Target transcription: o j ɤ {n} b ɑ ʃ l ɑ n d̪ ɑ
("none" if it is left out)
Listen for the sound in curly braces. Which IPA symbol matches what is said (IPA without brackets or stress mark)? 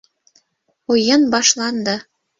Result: n